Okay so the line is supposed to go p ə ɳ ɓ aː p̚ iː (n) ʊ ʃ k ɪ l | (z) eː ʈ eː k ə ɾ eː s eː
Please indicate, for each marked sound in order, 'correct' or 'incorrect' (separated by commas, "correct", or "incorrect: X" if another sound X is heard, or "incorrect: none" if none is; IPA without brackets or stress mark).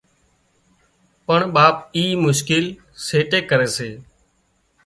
incorrect: m, incorrect: s